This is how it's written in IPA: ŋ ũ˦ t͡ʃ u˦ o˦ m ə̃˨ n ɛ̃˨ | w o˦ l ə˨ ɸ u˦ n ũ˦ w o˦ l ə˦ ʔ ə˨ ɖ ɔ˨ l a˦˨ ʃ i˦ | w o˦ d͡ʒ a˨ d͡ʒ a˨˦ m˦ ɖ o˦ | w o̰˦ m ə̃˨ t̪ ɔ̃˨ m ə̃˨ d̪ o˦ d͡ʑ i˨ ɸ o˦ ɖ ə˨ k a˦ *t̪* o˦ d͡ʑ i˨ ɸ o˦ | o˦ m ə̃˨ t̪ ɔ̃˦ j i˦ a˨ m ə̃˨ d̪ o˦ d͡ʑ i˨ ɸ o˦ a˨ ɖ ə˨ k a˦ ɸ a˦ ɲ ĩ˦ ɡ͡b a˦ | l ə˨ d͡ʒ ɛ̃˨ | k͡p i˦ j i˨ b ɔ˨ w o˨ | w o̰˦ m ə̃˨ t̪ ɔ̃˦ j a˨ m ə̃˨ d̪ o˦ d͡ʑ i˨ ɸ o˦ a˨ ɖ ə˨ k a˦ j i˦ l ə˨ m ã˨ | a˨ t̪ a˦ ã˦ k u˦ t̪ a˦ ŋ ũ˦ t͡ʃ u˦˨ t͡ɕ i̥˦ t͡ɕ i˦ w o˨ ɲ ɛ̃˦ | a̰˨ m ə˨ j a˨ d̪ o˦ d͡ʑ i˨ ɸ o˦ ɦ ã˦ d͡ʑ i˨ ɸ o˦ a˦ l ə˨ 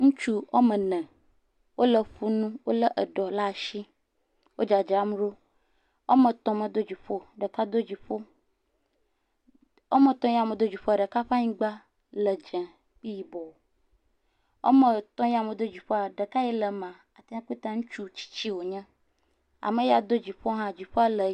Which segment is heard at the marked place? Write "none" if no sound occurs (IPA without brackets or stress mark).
d̪